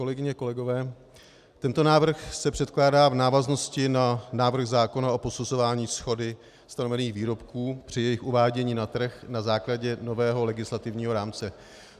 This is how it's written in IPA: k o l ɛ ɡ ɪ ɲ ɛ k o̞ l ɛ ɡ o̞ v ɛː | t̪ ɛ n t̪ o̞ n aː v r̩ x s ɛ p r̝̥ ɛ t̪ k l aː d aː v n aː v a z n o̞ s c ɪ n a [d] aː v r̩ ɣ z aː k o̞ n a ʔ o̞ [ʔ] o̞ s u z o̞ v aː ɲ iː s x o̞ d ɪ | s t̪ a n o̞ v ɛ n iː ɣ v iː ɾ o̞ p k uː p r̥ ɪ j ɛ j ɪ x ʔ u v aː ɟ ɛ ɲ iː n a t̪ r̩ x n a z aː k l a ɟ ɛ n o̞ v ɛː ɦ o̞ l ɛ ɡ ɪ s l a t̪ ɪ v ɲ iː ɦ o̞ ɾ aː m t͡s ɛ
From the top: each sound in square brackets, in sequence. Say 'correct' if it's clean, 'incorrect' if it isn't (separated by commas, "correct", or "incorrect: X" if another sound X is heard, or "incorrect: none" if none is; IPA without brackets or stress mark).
incorrect: n, incorrect: p